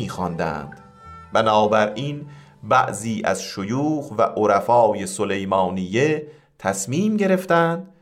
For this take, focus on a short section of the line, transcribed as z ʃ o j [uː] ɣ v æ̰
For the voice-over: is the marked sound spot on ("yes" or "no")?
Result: yes